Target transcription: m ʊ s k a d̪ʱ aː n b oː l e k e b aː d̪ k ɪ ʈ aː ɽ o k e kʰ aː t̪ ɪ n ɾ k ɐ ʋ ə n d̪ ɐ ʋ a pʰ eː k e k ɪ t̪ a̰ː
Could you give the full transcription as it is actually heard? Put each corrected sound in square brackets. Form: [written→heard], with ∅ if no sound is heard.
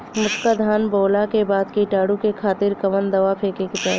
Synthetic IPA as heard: m ʊ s k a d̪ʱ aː n b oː l [e→a] k e b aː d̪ k [ɪ→i] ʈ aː ɽ [o→u] k e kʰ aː t̪ ɪ [n→∅] ɾ k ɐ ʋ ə n d̪ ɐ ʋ a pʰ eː k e k ɪ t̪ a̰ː